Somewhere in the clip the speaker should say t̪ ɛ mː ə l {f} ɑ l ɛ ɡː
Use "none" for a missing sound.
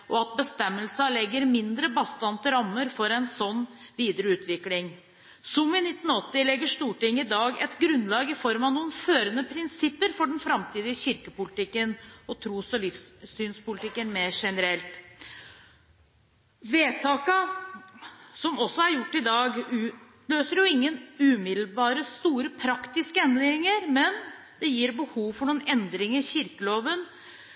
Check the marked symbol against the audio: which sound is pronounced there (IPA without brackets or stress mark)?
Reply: s